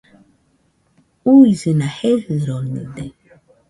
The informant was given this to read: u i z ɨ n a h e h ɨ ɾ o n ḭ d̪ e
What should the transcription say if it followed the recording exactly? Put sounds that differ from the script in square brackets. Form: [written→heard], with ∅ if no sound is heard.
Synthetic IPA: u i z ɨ n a h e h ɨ ɾ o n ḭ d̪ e